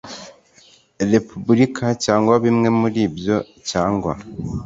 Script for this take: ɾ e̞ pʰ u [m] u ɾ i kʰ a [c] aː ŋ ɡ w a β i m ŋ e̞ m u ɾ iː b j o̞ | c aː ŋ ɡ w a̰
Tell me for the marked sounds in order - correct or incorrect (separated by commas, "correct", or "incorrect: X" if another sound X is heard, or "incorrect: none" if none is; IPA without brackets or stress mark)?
incorrect: b, correct